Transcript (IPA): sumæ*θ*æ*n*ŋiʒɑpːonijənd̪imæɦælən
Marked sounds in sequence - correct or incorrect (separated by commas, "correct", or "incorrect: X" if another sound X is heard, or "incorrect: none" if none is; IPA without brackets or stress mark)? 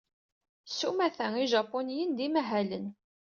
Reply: correct, incorrect: none